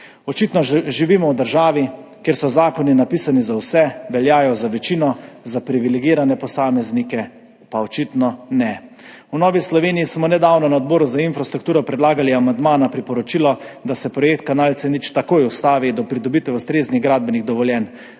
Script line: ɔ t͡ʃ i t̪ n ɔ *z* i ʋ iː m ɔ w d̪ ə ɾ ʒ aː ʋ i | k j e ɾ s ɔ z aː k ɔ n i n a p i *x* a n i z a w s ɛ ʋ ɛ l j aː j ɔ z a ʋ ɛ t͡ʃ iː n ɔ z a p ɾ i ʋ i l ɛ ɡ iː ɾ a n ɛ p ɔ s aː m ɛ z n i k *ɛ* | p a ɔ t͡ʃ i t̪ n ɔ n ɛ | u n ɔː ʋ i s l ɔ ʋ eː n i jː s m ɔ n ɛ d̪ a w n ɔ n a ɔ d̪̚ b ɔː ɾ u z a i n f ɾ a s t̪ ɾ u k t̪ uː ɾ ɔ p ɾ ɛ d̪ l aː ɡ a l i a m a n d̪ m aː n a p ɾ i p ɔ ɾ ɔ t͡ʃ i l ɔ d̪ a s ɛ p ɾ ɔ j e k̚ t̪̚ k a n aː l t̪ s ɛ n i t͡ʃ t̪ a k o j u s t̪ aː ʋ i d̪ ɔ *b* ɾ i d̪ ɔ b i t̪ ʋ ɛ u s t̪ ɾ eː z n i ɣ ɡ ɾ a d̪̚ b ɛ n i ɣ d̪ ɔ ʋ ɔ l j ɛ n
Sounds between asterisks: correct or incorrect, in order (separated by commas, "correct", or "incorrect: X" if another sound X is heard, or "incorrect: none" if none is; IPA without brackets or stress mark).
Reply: incorrect: ʒ, incorrect: s, correct, incorrect: p